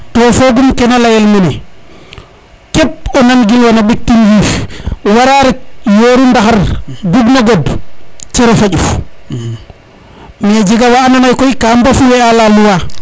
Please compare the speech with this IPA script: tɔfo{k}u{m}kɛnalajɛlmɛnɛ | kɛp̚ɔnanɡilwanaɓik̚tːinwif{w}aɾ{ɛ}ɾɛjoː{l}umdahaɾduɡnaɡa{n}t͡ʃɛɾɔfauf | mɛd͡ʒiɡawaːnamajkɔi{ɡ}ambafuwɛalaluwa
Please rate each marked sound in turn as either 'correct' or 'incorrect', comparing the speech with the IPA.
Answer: incorrect, correct, correct, incorrect, incorrect, incorrect, incorrect

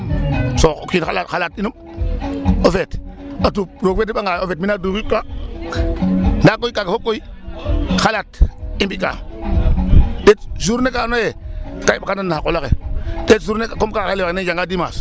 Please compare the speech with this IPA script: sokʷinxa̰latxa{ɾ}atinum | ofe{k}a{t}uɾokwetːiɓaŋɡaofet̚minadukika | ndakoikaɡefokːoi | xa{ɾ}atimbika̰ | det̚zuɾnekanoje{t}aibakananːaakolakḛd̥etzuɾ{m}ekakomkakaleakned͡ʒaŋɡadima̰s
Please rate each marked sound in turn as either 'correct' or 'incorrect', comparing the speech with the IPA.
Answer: incorrect, incorrect, correct, incorrect, incorrect, incorrect

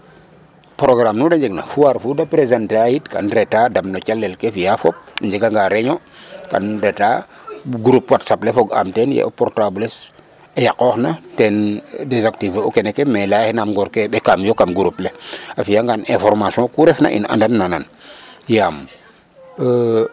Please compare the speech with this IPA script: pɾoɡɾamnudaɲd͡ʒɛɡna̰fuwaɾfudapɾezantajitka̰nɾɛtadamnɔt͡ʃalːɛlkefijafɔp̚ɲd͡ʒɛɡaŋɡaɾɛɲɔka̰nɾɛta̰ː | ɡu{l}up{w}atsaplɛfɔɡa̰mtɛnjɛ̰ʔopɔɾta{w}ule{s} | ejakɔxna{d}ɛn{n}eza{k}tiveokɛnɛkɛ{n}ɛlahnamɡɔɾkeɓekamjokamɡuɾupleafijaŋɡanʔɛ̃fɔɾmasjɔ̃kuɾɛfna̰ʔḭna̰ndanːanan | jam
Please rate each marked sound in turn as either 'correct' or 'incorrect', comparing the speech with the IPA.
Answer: incorrect, correct, incorrect, correct, incorrect, incorrect, correct, incorrect

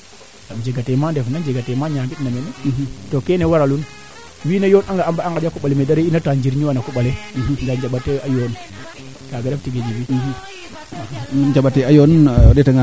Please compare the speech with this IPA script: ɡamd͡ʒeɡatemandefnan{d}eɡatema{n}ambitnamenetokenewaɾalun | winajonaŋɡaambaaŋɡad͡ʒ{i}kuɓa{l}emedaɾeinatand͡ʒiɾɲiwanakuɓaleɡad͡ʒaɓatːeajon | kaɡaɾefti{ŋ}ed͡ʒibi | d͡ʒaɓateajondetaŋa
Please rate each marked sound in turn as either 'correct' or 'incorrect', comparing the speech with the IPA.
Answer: incorrect, incorrect, incorrect, correct, incorrect

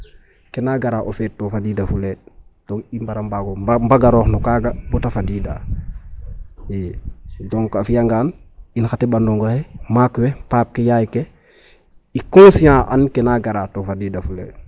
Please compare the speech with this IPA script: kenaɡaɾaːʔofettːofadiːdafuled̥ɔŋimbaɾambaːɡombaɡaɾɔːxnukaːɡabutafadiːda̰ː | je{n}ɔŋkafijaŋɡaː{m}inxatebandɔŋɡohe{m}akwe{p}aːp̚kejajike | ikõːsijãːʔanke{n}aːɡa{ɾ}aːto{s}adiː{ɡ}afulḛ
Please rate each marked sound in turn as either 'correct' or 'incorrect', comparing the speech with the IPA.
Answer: incorrect, incorrect, correct, correct, correct, correct, incorrect, incorrect

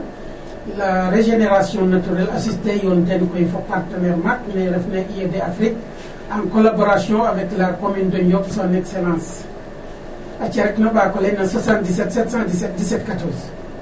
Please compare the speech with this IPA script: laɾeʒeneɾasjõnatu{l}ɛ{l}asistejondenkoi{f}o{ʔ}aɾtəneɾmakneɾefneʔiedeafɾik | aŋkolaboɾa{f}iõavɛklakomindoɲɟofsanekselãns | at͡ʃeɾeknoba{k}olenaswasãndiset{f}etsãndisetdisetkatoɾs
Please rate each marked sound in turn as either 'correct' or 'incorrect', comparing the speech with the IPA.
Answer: incorrect, correct, correct, incorrect, incorrect, correct, incorrect

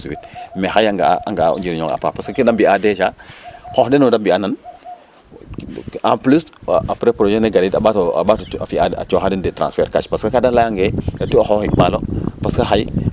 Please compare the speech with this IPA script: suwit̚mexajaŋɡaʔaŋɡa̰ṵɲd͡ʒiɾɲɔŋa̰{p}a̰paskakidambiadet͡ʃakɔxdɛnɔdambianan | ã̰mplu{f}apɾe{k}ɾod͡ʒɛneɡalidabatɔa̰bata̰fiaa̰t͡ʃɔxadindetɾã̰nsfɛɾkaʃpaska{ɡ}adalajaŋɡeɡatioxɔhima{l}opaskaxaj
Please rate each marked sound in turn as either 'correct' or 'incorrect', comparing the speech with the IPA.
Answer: correct, incorrect, incorrect, incorrect, correct

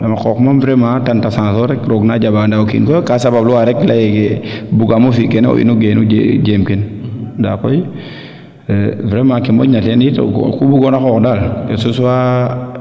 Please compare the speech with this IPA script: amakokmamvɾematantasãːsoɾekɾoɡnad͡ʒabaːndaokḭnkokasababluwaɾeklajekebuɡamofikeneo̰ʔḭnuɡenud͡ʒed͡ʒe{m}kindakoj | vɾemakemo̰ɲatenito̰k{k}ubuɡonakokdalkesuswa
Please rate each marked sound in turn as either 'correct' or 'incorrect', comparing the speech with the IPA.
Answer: correct, correct

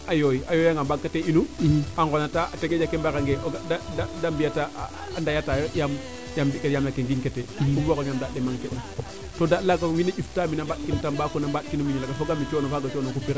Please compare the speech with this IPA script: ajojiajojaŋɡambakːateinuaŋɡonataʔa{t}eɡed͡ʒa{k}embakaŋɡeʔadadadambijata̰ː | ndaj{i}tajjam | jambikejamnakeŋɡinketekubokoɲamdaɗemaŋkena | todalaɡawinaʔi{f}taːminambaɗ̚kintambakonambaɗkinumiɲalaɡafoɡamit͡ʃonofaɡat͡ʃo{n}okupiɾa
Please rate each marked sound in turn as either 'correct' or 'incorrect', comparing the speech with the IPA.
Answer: correct, correct, incorrect, correct, correct

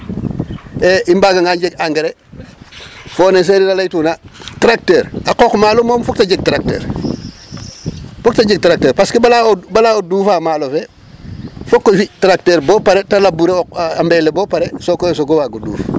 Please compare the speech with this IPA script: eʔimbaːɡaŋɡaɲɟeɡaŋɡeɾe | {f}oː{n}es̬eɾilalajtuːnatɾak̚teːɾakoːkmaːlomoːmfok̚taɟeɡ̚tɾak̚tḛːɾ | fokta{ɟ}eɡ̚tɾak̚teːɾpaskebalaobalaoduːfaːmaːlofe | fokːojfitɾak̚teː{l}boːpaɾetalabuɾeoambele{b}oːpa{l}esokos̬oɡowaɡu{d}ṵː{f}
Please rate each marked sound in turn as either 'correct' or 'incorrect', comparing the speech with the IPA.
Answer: correct, correct, correct, incorrect, correct, incorrect, correct, correct

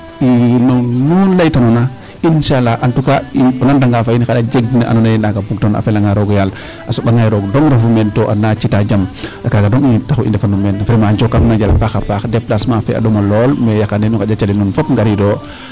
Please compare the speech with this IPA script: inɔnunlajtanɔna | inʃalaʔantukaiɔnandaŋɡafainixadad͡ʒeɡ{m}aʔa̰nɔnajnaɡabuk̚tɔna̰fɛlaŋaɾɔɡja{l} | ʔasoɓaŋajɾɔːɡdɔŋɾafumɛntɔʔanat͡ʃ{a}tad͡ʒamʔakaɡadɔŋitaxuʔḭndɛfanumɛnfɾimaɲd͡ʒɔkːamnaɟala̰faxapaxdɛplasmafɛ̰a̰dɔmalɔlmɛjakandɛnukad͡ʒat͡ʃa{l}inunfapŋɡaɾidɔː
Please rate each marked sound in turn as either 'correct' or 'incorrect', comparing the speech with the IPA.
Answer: incorrect, correct, incorrect, correct

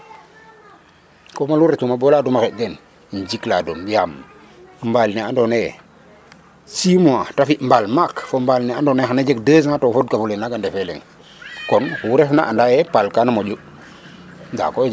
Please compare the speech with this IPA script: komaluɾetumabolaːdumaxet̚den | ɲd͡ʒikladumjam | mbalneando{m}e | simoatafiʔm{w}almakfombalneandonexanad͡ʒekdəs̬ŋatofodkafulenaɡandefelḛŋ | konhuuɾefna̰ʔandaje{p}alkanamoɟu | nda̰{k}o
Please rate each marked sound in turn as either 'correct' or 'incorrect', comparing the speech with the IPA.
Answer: incorrect, incorrect, correct, correct

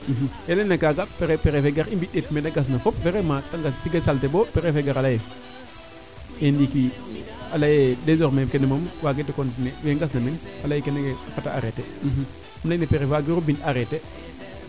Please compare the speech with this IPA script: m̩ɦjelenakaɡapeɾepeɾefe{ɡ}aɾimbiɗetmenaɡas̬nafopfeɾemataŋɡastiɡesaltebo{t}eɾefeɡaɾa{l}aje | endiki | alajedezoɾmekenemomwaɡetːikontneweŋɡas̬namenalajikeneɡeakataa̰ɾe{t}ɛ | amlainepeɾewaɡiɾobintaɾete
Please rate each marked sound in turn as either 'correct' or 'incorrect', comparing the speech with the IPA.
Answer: correct, incorrect, correct, correct

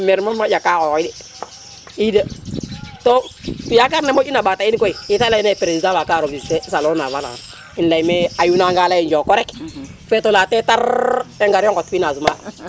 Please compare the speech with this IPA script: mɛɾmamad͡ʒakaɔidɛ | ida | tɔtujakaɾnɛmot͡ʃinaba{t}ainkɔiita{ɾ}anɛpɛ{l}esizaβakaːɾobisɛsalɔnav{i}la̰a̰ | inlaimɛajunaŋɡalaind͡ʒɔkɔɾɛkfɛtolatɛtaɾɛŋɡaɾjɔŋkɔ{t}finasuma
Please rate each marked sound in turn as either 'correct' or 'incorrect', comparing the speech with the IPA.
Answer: correct, incorrect, incorrect, incorrect, correct

